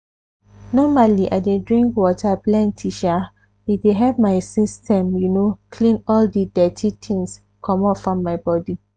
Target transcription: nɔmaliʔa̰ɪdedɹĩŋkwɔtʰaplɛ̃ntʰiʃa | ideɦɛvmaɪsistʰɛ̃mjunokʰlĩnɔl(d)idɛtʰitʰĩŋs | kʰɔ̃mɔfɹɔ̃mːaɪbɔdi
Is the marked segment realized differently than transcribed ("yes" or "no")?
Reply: no